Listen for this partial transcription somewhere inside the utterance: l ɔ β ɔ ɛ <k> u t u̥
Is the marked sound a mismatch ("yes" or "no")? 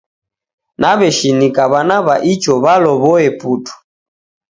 yes